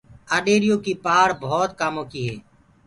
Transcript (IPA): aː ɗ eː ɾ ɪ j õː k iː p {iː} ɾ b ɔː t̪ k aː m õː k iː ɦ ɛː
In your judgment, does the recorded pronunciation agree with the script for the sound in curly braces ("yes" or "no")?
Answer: no